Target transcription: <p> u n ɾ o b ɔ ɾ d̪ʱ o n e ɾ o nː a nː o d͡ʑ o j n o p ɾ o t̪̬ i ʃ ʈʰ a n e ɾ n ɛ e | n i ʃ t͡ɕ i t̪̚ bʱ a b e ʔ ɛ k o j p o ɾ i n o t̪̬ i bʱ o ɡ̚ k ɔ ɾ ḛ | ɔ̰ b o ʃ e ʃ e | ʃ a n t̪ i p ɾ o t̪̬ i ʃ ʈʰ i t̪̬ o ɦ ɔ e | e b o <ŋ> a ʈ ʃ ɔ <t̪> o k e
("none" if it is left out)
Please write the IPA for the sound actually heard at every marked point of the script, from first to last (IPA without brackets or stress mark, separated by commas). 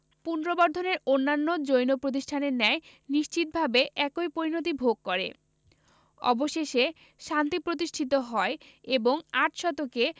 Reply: p, ŋ, t̪